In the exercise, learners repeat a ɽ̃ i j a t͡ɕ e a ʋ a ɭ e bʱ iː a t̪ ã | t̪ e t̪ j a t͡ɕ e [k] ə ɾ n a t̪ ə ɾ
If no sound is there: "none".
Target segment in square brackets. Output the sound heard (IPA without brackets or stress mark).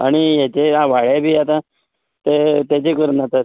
k